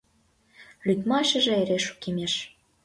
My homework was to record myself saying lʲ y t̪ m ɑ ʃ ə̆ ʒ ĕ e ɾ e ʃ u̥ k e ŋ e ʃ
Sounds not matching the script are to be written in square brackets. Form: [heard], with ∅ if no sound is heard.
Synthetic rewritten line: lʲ y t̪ m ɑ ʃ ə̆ ʒ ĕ e ɾ e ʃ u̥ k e [m] e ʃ